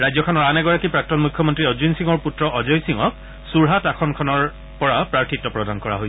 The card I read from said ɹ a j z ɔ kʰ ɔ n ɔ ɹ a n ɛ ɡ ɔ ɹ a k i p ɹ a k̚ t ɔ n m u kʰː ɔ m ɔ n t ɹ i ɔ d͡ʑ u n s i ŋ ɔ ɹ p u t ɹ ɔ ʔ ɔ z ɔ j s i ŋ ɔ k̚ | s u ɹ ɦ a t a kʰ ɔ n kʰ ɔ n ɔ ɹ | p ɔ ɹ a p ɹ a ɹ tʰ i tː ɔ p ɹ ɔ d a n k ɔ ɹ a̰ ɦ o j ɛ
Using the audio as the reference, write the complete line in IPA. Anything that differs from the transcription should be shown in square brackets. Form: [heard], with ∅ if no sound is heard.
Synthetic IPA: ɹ a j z ɔ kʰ ɔ n ɔ ɹ a n ɛ ɡ ɔ ɹ a k i p ɹ a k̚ t ɔ n m u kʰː ɔ m ɔ n t ɹ i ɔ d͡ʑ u n s i ŋ ɔ ɹ p u t ɹ ɔ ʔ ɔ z ɔ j s i ŋ ɔ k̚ | s u ɹ ɦ a t a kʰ ɔ n kʰ ɔ n ɔ ɹ | p ɔ ɹ a p ɹ a ɹ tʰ i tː ɔ p ɹ ɔ d a n k ɔ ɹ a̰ ɦ o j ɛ